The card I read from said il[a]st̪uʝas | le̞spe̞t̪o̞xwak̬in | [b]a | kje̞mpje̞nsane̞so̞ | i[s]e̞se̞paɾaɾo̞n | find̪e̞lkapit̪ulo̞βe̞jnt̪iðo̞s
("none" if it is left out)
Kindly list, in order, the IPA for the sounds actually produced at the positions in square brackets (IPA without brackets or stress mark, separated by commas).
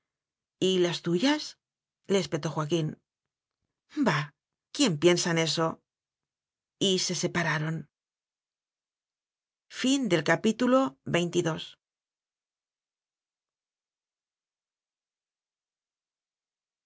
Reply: a, b, s